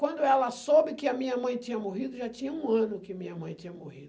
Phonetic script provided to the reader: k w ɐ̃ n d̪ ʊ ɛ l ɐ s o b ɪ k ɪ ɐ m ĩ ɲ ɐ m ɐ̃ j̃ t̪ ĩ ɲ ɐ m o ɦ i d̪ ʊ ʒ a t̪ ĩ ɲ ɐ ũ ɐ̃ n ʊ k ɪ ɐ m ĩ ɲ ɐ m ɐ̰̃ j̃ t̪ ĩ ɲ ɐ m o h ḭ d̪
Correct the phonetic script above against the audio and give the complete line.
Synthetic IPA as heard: k w ɐ̃ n d̪ ʊ ɛ l ɐ s o b ɪ k ɪ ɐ m ĩ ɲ ɐ m ɐ̃ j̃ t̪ ĩ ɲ ɐ m o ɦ i d̪ ʊ ʒ a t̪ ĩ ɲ ɐ ũ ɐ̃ n ʊ k ɪ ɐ m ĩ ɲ ɐ m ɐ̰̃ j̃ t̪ ĩ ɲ ɐ m o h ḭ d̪